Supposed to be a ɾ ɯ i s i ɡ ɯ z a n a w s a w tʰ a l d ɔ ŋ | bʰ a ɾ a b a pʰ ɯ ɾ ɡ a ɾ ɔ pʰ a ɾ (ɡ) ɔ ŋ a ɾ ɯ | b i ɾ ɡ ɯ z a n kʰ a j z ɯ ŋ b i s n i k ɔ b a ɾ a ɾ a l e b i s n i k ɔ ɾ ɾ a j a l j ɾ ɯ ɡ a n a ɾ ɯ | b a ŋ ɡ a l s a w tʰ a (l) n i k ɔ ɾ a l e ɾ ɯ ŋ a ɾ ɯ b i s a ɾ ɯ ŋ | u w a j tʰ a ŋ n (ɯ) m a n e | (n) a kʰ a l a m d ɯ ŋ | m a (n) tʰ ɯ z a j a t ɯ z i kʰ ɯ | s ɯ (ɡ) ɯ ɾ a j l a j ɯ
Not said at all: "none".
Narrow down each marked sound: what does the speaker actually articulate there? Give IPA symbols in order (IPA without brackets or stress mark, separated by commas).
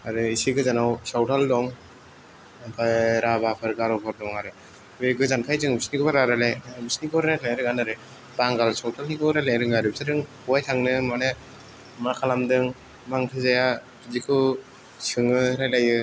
d, l, ɯ, m, ŋ, ŋ